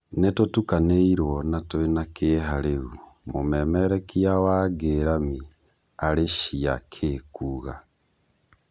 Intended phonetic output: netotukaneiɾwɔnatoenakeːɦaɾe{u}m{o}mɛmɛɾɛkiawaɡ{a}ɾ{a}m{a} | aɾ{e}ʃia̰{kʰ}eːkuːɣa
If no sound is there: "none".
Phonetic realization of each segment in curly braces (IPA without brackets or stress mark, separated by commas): u, o, e, a, i, e, kʰ